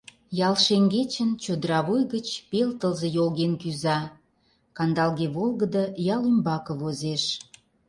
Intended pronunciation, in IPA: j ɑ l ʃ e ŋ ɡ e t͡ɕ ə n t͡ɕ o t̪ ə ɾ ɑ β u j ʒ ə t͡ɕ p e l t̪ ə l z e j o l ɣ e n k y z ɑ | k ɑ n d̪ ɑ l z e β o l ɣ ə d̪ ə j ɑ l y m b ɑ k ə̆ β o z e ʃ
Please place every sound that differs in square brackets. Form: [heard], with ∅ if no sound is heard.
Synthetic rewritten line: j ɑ l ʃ e ŋ ɡ e t͡ɕ ə n t͡ɕ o [d̪] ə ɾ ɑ β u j [ɣ] ə t͡ɕ p e l t̪ ə l z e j o l ɣ e n k y z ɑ | k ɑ n d̪ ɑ l [ɣ] e β o l ɣ ə d̪ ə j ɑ l y m b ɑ k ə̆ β o z e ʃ